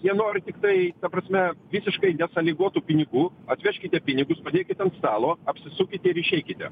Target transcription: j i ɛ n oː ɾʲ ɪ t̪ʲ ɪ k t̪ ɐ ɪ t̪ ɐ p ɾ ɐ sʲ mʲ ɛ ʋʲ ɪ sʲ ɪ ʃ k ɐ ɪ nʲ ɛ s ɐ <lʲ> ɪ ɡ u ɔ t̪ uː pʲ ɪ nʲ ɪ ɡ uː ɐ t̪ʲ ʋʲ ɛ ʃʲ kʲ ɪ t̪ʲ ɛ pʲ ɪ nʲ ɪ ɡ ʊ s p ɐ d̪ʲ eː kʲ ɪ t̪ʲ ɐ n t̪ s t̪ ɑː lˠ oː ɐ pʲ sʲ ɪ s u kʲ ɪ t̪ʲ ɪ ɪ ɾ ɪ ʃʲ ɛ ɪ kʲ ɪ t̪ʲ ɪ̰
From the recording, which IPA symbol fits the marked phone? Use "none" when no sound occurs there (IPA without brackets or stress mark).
lʲ